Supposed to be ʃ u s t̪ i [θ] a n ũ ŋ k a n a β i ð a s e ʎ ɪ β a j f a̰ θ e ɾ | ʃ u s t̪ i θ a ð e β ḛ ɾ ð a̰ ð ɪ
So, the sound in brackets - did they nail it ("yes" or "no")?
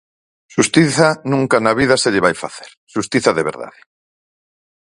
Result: yes